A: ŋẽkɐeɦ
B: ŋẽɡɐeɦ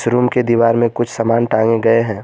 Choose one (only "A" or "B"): B